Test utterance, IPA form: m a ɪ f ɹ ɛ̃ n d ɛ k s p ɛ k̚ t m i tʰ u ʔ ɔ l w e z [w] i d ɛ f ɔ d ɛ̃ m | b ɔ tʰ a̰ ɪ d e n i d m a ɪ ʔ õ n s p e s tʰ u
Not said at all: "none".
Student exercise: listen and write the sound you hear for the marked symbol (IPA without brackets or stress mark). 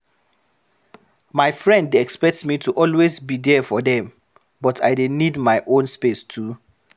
b